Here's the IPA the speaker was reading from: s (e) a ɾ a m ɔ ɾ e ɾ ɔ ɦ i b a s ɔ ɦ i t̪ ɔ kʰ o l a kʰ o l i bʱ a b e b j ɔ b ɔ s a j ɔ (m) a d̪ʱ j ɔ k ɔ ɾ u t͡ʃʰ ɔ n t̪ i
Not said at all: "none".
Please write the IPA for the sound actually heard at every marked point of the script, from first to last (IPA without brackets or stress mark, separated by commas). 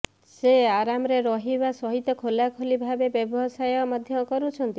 e, m